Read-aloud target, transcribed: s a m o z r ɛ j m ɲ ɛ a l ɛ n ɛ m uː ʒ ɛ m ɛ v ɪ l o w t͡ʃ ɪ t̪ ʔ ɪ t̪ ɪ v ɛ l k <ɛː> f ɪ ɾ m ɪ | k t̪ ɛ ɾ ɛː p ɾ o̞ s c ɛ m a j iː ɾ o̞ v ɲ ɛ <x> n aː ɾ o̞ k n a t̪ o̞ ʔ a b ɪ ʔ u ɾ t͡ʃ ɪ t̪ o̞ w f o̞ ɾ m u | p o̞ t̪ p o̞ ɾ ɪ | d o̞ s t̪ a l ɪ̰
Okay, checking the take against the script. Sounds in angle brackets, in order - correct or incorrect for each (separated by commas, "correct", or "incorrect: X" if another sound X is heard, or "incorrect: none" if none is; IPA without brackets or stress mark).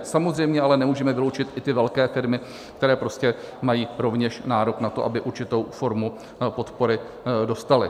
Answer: correct, incorrect: ʃ